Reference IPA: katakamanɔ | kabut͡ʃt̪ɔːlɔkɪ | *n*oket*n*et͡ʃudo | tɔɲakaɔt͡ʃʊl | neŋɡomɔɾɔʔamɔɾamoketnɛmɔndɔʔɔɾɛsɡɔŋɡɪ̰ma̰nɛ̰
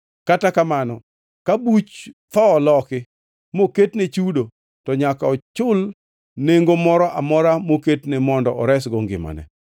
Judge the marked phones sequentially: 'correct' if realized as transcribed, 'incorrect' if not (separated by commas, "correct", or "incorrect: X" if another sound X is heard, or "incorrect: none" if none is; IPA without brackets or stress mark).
incorrect: m, correct